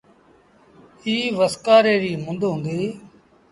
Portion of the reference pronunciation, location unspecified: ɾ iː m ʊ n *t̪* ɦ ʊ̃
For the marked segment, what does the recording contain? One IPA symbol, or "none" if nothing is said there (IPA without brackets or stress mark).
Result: d̪